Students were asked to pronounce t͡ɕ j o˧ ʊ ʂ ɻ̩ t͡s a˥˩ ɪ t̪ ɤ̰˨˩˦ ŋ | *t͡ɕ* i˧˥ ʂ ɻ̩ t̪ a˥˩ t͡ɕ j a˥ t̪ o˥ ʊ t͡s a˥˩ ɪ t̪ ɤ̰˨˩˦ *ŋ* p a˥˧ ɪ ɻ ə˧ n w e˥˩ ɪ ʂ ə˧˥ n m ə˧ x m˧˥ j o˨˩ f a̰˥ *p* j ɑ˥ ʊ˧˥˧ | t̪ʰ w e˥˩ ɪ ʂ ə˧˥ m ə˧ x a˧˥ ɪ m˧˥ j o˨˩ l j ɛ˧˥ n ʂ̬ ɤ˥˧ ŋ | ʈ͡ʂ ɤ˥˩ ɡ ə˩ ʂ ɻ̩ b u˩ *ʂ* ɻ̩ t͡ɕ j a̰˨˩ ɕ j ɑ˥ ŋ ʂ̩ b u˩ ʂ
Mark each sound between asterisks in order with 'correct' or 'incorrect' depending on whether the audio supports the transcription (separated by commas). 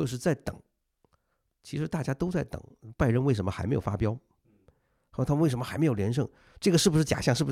incorrect, correct, correct, correct